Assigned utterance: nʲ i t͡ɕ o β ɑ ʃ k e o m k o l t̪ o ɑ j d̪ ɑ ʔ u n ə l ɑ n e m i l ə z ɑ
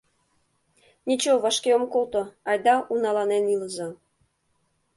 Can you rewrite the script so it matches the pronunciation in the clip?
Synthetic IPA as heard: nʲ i t͡ɕ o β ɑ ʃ k e o m k o l t̪ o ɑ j d̪ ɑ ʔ u n ɑ l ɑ n e n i l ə z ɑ

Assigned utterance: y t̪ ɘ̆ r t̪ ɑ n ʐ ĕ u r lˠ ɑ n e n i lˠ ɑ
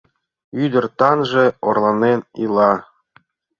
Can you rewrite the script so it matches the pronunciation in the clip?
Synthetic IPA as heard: y d̪ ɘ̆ r t̪ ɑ n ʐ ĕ o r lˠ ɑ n e n i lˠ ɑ

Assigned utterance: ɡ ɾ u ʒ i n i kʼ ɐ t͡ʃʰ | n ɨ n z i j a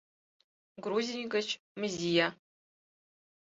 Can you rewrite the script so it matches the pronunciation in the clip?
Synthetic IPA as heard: ɡ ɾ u z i n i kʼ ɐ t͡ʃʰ | m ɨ z i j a

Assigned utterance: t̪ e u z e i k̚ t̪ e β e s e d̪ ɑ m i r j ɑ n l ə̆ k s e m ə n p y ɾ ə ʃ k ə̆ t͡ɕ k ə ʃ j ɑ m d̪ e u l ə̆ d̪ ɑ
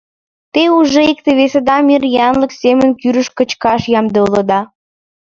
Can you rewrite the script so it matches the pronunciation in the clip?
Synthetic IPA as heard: t̪ e u ʒ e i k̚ t̪ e β e s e d̪ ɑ m i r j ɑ n l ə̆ k s e m ə n k y ɾ ə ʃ k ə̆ t͡ɕ k ɑ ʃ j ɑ m d̪ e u l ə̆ d̪ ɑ

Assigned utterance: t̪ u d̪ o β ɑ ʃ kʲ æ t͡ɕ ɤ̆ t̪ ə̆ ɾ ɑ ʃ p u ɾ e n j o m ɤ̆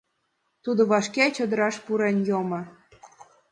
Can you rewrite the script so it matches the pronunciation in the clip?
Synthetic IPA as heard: t̪ u d̪ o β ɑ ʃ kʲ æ t͡ɕ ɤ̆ d̪ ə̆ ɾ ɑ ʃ p u ɾ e n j o m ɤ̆

